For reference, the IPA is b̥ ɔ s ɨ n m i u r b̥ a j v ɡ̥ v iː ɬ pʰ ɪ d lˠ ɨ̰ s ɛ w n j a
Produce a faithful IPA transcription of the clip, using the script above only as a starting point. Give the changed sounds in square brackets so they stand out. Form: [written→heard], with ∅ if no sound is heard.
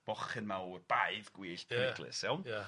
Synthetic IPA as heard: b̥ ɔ [s→χ] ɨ n m [i→a] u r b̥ a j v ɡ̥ [v→w] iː ɬ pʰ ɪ [d→ɡ] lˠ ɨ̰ s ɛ w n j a